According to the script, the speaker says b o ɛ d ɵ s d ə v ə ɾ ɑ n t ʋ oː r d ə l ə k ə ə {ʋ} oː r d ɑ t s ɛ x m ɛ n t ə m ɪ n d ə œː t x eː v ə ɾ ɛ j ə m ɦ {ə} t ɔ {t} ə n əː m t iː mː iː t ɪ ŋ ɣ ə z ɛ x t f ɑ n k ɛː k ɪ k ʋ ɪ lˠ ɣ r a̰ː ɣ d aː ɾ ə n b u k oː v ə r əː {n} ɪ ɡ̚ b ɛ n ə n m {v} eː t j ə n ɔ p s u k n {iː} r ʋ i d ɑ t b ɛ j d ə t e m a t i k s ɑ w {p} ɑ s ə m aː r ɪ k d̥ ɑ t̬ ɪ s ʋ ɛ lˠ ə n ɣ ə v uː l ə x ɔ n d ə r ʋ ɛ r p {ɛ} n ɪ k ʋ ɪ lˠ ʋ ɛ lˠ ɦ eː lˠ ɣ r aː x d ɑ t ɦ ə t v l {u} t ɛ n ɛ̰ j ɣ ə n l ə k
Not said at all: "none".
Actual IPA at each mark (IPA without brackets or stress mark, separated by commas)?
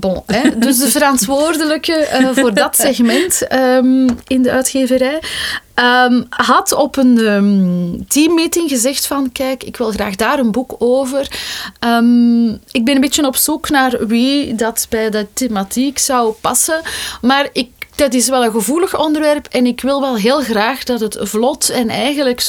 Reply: v, ɑ, p, m, b, aː, p, ɛ, ɔ